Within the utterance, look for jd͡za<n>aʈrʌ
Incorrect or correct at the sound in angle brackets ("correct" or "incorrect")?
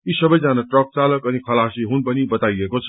correct